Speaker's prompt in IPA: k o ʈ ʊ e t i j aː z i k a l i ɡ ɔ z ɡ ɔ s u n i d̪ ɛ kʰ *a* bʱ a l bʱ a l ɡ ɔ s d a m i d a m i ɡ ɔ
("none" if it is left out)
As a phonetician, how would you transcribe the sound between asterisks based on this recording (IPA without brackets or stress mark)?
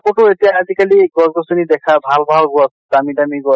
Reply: a